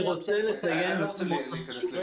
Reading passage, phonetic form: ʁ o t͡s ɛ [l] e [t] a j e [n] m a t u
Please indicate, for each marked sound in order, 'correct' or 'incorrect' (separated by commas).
correct, incorrect, correct